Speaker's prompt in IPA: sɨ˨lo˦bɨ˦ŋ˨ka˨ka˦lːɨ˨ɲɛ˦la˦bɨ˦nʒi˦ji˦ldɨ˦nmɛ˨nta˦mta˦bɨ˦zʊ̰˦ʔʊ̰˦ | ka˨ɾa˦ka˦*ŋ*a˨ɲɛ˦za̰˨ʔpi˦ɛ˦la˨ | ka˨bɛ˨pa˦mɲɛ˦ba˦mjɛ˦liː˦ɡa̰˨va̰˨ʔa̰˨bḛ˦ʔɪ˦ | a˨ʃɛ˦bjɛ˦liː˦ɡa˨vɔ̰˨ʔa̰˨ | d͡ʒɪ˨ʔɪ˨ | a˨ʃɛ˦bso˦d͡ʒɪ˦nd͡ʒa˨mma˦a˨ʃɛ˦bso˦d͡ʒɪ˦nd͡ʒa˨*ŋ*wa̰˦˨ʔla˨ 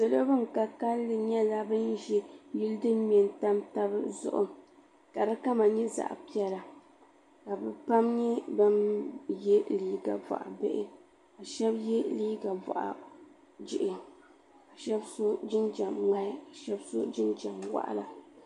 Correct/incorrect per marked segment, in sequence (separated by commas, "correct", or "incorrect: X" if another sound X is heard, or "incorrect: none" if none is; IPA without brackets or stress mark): incorrect: m, incorrect: m